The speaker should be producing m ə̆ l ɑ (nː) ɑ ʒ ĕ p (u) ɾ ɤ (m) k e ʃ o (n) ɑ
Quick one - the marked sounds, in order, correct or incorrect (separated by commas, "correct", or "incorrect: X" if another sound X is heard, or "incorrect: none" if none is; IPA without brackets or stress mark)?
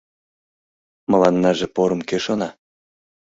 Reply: correct, incorrect: o, correct, correct